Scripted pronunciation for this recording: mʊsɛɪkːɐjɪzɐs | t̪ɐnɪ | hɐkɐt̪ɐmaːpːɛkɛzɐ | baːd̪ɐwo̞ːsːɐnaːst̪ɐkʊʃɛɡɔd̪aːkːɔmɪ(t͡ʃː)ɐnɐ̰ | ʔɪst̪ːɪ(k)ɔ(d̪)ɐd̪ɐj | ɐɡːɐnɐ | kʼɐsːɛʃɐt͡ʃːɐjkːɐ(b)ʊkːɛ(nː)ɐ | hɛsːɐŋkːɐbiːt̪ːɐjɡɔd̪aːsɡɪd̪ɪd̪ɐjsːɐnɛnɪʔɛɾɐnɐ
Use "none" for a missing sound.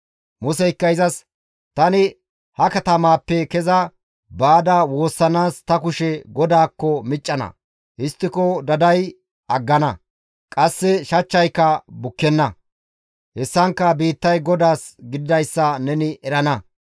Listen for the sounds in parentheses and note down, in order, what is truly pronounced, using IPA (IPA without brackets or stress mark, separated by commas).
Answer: t͡ʃʼː, k, d̪, b, nː